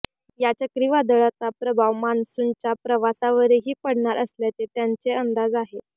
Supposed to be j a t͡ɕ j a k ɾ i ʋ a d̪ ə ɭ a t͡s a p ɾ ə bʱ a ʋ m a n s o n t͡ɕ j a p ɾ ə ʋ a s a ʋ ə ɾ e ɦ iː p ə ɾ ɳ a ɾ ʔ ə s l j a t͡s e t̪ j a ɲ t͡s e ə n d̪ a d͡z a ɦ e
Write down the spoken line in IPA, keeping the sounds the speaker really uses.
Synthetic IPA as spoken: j a t͡ɕ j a k ɾ i ʋ a d̪ ə ɭ a t͡s a p ɾ ə bʱ a ʋ m a n s u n t͡ɕ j a p ɾ ə ʋ a s a ʋ ə ɾ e ɦ iː p ə ɽ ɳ a ɾ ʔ ə s l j a t͡s e t̪ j a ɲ t͡s e ə n d̪ a d͡z a ɦ e